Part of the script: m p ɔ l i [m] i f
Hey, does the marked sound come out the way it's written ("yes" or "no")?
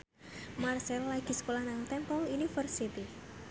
no